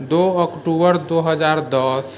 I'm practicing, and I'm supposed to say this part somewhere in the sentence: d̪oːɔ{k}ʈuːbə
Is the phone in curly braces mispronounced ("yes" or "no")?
no